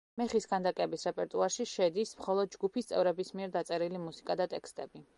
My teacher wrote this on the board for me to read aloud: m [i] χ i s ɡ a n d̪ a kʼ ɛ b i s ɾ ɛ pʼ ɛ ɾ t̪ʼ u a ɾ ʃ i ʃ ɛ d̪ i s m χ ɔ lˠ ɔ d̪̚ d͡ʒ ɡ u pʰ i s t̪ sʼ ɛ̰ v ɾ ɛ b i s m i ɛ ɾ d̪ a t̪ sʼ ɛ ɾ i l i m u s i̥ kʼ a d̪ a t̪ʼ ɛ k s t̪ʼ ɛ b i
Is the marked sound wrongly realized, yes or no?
yes